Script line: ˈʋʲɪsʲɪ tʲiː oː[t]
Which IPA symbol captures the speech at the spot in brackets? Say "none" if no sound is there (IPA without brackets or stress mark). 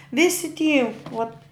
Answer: t